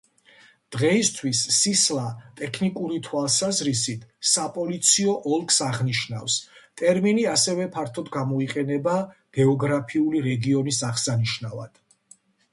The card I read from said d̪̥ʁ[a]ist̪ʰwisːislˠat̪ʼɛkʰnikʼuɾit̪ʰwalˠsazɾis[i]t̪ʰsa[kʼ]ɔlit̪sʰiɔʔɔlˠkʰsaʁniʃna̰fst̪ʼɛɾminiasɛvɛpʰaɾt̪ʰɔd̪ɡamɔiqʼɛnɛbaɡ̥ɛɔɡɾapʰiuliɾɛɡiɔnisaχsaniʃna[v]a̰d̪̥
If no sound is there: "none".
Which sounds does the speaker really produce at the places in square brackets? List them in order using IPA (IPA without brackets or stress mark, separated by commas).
ɛ, i, pʼ, v